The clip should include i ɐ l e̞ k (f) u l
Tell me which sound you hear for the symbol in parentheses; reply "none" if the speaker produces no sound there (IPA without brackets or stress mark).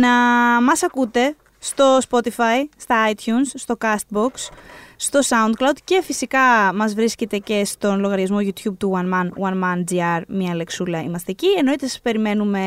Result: s